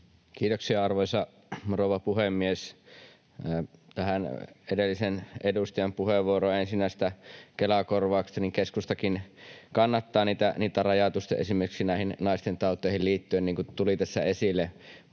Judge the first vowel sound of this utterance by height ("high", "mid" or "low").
high